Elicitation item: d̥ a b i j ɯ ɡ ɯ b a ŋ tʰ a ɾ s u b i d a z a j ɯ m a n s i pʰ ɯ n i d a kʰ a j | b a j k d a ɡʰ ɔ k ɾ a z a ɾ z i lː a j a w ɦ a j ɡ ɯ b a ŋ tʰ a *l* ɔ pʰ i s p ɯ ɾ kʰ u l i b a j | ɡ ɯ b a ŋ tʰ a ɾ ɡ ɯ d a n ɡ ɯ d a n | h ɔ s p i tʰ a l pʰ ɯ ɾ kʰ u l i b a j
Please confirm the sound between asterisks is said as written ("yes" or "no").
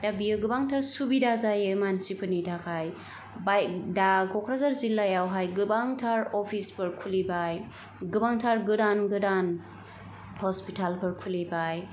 no